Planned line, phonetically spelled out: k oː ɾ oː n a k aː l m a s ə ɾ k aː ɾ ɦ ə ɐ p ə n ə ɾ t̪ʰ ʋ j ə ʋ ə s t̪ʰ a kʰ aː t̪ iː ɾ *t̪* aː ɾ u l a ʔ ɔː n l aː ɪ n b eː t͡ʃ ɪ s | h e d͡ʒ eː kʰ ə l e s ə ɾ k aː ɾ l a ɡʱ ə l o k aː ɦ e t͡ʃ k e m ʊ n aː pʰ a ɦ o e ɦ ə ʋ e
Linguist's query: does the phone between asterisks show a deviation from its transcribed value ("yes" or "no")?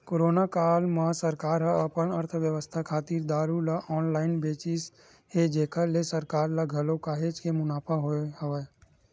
yes